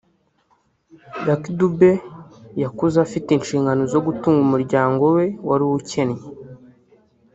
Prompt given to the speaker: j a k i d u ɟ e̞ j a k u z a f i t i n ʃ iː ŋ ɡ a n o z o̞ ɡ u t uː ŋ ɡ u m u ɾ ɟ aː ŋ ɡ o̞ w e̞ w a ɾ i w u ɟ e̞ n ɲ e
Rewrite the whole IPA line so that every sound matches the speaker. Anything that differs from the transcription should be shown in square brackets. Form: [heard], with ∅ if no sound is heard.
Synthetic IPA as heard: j a k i d u [b] e̞ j a k u z a f i t i n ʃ iː ŋ ɡ a n o z o̞ ɡ u t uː ŋ ɡ u m u ɾ ɟ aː ŋ ɡ o̞ w e̞ w a ɾ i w u [c] e̞ n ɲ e